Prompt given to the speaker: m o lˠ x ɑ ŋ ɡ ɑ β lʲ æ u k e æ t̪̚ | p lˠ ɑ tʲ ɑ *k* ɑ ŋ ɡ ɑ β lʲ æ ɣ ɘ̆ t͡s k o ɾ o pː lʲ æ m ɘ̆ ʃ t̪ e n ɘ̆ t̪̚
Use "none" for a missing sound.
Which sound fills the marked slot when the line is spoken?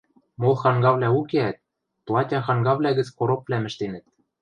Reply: x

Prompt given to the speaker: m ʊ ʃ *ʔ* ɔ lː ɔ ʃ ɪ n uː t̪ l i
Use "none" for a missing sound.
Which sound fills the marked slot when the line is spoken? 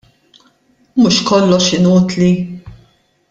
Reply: k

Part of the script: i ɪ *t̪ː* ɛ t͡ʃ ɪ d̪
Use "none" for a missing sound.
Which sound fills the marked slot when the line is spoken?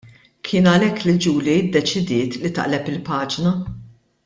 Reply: d̪ː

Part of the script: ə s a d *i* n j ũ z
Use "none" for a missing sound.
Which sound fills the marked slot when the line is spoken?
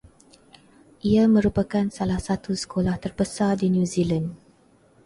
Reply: i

